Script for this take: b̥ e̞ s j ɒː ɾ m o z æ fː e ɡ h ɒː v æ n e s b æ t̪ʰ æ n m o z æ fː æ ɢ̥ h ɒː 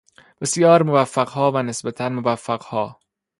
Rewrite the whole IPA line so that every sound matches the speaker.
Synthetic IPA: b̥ e̞ s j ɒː ɾ m o v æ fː æ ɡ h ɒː v æ n e s b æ t̪ʰ æ n m o v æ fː æ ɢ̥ h ɒː